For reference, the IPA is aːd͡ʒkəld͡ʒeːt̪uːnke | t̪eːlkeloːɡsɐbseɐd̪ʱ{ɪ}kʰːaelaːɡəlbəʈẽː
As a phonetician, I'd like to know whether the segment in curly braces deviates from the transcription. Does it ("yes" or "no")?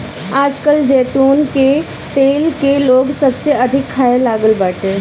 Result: no